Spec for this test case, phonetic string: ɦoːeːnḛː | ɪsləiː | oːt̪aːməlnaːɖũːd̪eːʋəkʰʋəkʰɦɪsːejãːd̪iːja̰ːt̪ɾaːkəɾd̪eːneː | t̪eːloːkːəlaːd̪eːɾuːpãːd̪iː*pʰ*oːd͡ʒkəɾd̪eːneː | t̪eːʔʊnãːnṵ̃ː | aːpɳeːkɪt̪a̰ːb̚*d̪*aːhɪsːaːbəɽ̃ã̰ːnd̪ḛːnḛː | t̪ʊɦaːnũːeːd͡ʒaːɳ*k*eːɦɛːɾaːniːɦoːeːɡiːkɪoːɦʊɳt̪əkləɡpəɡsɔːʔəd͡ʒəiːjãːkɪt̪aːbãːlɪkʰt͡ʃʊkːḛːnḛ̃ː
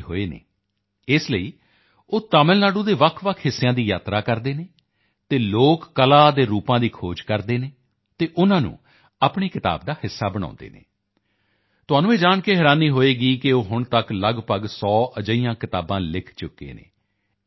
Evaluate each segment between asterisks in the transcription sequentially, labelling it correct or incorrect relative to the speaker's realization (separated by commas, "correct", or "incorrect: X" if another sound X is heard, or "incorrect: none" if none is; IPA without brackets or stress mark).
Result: incorrect: kʰ, correct, correct